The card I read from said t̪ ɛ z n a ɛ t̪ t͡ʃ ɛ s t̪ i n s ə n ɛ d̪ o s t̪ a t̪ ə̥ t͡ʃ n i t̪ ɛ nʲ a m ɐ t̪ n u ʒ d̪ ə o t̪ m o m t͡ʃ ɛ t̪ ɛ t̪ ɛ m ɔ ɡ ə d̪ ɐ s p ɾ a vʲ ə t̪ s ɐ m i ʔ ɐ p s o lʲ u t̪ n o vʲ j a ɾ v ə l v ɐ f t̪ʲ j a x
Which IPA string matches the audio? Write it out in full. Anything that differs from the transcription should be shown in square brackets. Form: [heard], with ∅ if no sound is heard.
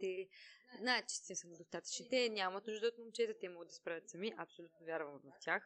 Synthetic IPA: t̪ ɛ z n a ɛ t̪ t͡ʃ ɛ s t̪ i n s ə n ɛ d̪ o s t̪ a t̪ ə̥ t͡ʃ n i t̪ ɛ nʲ a m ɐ t̪ n u ʒ d̪ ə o t̪ m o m t͡ʃ ɛ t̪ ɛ t̪ ɛ m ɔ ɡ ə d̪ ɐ s p ɾ a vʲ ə t̪ s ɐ m i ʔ ɐ p s o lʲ u t̪ n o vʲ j a ɾ v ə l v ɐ f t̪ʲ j a x